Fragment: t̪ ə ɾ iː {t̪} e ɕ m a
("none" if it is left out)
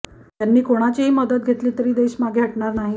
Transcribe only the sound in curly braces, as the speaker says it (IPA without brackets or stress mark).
d̪